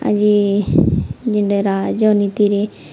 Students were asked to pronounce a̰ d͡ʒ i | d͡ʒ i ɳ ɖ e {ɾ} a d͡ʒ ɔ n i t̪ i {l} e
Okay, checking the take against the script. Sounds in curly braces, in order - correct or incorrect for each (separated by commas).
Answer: correct, incorrect